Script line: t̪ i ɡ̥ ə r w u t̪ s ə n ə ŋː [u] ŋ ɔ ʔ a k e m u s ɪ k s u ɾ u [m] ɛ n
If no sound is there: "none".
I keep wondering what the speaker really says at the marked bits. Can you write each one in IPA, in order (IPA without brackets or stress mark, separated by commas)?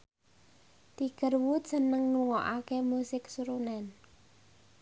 u, n